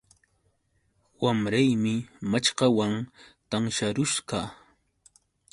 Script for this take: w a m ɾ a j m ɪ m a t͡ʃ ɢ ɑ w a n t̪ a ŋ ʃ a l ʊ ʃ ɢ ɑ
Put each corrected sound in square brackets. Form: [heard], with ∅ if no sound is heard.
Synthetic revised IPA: w a m ɾ a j m ɪ m a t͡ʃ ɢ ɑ w a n t̪ a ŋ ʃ a [ɾ] ʊ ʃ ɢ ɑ

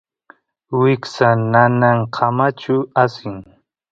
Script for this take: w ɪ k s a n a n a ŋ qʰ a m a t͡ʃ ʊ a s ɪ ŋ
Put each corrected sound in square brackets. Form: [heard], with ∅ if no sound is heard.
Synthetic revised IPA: w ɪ k s a n a n a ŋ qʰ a m a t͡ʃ ʊ a s ɪ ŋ

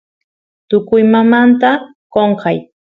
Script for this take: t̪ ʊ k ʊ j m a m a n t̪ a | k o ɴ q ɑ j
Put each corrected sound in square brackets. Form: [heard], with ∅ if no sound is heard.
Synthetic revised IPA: t̪ ʊ k ʊ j m a m a n t̪ a | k o ɴ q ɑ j

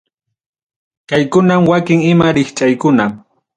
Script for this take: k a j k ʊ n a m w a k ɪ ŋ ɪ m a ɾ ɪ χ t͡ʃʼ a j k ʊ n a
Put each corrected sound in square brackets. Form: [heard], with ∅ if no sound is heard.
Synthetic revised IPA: k a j k ʊ n a m w a k ɪ ŋ ɪ m a ɾ ɪ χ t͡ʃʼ a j k ʊ n a

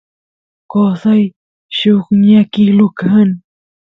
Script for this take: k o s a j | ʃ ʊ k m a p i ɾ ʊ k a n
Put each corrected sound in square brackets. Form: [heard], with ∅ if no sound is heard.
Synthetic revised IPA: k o s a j | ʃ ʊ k [ɲ] a [k] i [l] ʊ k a n

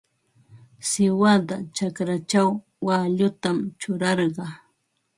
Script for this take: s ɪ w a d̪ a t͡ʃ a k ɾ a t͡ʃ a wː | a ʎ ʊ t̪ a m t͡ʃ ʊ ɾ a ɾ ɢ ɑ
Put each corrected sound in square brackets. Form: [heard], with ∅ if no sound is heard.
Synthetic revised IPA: s ɪ w a d̪ a t͡ʃ a k ɾ a t͡ʃ a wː | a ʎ ʊ t̪ a m t͡ʃ ʊ ɾ [ɑ] ɾ ɢ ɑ

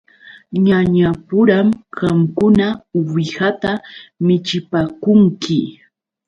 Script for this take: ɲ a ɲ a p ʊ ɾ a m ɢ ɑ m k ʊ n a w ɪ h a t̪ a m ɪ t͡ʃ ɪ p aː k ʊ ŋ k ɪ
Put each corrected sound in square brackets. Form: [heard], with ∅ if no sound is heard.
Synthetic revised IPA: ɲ a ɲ a p ʊ ɾ a m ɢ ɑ m k ʊ n a w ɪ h a t̪ a m ɪ t͡ʃ ɪ p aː k ʊ ŋ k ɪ

